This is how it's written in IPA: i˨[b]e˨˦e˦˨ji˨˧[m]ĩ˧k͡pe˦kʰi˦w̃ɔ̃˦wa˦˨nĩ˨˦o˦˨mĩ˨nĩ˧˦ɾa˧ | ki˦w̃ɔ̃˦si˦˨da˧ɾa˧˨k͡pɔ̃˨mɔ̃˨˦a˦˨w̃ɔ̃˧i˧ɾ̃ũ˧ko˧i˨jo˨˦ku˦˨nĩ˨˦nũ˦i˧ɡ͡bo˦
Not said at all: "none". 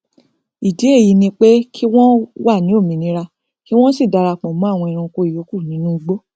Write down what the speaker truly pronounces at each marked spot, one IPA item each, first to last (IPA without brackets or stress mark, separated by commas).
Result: d, n